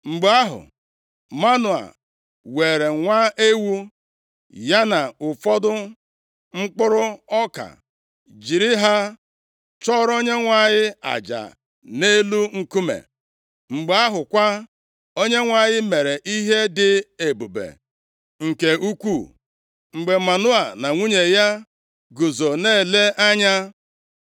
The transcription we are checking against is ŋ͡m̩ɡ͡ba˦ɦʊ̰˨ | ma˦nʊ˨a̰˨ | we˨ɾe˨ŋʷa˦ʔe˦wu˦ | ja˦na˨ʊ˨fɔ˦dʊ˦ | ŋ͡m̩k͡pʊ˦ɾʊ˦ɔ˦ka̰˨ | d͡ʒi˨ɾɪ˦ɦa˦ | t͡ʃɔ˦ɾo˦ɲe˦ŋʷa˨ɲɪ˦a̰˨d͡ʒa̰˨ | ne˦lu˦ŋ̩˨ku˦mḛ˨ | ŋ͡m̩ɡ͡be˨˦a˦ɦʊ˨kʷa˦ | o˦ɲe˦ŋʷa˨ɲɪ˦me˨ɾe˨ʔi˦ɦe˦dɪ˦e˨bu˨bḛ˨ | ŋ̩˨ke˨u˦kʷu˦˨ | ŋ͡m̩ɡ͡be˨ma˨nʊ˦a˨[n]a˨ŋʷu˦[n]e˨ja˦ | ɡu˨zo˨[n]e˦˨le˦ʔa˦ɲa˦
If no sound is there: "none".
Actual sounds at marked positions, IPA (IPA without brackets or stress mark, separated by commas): n, ɲ, n